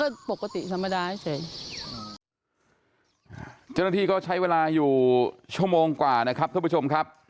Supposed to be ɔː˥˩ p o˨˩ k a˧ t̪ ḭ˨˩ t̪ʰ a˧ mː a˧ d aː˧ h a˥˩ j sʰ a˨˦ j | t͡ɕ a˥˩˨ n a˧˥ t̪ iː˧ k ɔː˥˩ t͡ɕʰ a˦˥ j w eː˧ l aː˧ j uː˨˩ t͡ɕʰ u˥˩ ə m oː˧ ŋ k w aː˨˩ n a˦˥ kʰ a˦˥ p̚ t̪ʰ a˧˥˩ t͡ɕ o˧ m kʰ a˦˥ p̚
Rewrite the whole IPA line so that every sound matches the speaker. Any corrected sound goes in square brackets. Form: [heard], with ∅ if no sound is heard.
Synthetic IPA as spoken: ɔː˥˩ p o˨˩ k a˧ t̪ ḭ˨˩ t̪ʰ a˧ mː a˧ d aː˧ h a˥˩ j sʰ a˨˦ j | t͡ɕ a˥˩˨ n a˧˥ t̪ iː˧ k ɔː˥˩ t͡ɕʰ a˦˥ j w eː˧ l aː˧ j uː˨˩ t͡ɕʰ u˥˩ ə m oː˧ ŋ k w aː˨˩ n a˦˥ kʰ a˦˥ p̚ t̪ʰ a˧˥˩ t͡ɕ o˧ m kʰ a˦˥ p̚

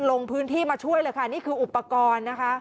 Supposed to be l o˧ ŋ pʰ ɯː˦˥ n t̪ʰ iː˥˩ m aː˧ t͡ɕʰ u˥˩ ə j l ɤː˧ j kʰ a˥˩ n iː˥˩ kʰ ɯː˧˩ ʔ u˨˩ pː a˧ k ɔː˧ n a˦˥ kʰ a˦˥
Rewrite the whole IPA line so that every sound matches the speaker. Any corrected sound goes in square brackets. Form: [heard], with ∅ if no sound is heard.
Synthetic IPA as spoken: l o˧ ŋ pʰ ɯː˦˥ n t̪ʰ iː˥˩ m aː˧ t͡ɕʰ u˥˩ ə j l ɤː˧ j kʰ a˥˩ n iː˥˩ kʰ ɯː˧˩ ʔ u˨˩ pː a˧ k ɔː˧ [nː] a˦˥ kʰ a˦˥

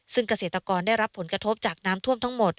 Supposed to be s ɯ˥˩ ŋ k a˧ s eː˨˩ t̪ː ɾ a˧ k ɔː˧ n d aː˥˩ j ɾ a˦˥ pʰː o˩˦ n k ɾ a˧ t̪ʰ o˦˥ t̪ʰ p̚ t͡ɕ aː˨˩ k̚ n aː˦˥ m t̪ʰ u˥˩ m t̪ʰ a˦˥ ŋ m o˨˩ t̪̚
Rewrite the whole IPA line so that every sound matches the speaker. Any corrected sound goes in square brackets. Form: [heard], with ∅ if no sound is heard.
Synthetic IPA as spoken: s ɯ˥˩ ŋ k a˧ s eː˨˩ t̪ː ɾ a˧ k ɔː˧ n d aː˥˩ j ɾ a˦˥ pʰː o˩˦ n k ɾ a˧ t̪ʰ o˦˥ [∅] p̚ t͡ɕ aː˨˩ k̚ n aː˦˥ m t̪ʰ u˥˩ m t̪ʰ a˦˥ ŋ m o˨˩ t̪̚

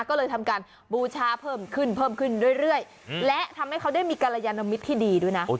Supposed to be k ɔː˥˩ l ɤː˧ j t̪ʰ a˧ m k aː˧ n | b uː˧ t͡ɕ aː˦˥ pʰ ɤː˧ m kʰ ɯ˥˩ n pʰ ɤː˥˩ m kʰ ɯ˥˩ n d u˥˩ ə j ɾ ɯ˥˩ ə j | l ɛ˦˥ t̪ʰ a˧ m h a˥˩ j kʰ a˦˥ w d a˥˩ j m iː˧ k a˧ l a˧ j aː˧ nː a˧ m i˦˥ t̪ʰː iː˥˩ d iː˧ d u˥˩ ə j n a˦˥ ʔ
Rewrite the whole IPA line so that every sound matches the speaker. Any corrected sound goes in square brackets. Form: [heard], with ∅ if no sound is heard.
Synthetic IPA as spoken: k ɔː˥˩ l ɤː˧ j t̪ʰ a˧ m k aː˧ n | b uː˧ [t͡ɕʰ] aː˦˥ pʰ [ɤː˥˩] m kʰ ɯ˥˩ n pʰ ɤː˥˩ m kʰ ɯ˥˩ n d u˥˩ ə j ɾ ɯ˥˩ ə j | l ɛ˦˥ t̪ʰ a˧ m h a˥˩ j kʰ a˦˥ w d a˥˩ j m iː˧ k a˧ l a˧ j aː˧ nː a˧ m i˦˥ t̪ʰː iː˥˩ d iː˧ d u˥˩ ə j n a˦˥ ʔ

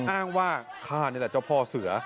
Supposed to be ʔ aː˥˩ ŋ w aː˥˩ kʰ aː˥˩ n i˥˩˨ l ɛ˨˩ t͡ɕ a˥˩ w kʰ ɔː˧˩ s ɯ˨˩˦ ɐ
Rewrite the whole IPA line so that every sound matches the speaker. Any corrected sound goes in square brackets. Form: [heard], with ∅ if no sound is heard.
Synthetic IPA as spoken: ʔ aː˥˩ ŋ w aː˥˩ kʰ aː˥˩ n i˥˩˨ l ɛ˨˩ t͡ɕ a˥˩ w [pʰ] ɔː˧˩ s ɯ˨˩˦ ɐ

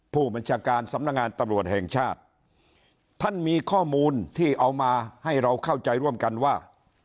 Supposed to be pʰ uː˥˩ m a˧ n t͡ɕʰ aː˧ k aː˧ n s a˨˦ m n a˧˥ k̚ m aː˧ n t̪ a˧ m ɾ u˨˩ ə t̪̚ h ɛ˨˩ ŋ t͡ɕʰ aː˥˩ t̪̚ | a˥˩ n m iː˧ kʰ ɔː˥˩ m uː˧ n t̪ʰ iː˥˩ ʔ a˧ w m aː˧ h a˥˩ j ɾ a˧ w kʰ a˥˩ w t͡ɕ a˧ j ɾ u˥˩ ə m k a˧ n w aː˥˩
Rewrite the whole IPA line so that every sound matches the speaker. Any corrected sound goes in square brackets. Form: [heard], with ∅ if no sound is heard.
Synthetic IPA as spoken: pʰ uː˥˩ [b] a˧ n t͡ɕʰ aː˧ k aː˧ n s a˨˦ m n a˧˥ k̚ [ŋ] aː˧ n t̪ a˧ m ɾ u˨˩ ə t̪̚ h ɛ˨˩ ŋ t͡ɕʰ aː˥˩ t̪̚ | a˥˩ n m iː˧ kʰ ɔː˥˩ m uː˧ n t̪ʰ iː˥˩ ʔ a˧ w m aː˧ h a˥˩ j ɾ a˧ w kʰ a˥˩ w t͡ɕ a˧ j ɾ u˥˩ ə m k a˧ n w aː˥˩

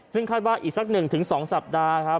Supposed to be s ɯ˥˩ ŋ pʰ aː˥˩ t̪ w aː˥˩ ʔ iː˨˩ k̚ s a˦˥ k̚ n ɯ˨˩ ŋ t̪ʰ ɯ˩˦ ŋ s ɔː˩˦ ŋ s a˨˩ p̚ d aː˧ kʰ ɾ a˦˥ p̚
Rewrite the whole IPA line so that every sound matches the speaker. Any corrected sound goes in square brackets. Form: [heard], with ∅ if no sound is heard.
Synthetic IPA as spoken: s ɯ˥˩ ŋ [kʰ] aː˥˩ t̪ w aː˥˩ ʔ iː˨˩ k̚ s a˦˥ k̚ n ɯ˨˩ ŋ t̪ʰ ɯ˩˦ ŋ s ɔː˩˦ ŋ s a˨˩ p̚ d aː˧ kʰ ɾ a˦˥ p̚

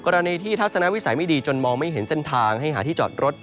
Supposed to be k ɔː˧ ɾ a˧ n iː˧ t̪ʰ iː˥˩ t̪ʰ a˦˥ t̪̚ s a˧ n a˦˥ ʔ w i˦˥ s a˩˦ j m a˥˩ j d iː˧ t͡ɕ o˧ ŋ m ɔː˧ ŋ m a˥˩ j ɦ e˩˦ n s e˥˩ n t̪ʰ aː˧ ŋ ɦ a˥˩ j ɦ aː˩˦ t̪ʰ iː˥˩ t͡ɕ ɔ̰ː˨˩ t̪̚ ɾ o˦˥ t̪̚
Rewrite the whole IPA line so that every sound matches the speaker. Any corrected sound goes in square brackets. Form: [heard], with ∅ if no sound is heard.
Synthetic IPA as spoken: k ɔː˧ ɾ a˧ n iː˧ t̪ʰ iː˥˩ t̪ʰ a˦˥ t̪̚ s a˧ n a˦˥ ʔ w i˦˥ s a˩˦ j m a˥˩ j d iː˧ t͡ɕ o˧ [n] m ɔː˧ ŋ m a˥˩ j ɦ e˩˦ n s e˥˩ n t̪ʰ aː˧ ŋ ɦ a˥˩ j ɦ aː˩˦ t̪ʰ iː˥˩ t͡ɕ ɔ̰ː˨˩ t̪̚ ɾ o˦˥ t̪̚

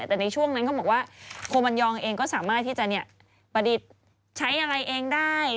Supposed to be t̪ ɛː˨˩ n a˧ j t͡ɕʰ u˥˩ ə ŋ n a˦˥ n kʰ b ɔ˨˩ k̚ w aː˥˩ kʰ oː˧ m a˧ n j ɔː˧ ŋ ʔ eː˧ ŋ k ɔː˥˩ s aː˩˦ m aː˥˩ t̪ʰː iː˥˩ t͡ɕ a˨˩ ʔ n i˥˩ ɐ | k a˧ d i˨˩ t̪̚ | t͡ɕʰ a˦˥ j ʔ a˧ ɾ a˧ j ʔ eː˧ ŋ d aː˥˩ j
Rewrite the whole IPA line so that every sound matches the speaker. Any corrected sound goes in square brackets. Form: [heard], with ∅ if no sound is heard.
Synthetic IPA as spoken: t̪ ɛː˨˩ n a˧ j t͡ɕʰ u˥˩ ə ŋ n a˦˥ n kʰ b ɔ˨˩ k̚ w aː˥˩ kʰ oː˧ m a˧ n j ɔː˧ ŋ ʔ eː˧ ŋ k ɔː˥˩ s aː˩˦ m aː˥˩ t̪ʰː iː˥˩ t͡ɕ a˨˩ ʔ n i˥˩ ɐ | [p] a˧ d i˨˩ t̪̚ | t͡ɕʰ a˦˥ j ʔ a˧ ɾ a˧ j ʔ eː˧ ŋ d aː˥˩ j

